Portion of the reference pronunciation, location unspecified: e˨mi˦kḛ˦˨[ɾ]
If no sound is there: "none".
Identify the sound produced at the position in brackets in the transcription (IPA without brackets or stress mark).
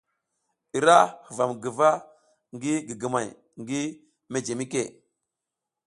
none